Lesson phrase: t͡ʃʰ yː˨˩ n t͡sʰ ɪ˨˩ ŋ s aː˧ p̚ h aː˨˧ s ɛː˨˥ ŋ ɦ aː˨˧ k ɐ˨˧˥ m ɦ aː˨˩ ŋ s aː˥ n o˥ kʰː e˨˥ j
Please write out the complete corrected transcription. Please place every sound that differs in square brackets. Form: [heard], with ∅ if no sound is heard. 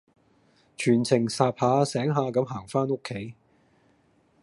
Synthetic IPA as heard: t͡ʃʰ yː˨˩ n t͡sʰ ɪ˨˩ ŋ s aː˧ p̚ h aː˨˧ s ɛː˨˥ ŋ ɦ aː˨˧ k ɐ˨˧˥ m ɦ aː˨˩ ŋ [f] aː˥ n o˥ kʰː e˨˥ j